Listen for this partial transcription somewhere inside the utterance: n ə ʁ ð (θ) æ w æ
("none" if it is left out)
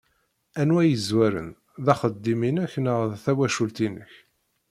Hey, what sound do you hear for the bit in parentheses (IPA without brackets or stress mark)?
θ